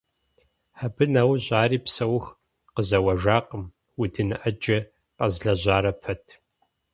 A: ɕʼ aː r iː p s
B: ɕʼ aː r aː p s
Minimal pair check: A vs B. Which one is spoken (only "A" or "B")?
A